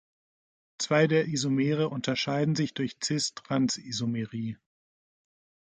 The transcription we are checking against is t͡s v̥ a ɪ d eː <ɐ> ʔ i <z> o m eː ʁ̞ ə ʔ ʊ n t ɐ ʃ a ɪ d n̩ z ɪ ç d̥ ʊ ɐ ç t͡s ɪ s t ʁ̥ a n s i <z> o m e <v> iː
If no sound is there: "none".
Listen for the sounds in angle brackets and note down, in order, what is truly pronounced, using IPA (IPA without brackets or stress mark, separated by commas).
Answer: ɐ, z, z, ʁ